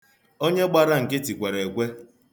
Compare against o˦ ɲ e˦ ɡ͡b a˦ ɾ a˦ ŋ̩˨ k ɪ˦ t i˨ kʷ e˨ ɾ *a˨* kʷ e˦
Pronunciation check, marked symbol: incorrect: e˨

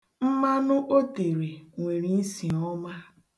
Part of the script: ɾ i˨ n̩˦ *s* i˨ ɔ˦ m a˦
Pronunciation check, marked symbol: correct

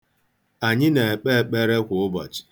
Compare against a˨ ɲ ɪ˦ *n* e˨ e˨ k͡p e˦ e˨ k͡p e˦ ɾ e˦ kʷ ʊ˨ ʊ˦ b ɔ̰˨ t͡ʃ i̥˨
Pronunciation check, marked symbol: correct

